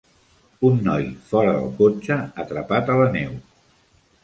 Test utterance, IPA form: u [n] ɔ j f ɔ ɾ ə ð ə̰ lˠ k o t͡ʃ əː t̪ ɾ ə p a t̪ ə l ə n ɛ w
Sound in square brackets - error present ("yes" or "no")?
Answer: yes